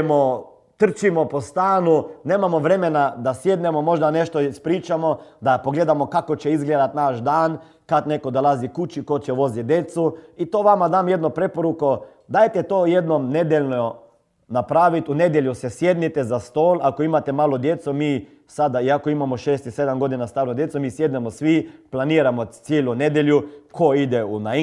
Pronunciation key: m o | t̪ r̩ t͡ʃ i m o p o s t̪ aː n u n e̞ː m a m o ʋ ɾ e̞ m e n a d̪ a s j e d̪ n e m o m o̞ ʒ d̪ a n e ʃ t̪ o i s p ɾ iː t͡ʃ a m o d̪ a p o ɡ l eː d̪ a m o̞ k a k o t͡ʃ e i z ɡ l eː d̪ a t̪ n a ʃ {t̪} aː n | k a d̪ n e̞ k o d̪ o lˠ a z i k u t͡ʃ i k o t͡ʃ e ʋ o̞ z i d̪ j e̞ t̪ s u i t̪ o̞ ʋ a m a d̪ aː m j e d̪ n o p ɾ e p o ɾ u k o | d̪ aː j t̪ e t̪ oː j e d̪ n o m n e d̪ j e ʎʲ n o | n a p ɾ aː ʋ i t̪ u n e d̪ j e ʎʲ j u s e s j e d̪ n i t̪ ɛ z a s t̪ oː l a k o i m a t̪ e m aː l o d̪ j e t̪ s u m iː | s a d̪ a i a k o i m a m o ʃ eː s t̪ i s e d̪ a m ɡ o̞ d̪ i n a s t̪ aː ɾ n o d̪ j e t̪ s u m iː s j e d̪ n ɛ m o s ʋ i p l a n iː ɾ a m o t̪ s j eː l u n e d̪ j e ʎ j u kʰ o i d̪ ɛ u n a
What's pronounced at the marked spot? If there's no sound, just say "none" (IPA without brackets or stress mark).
d̪